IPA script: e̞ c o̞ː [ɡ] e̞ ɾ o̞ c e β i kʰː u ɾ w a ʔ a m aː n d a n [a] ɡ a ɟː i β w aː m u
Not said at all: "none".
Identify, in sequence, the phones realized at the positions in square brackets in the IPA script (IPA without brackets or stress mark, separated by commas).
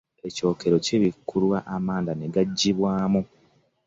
k, e